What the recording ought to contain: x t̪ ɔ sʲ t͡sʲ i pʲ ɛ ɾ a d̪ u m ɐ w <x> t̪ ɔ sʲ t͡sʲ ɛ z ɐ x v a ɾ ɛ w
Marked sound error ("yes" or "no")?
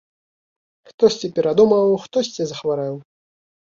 no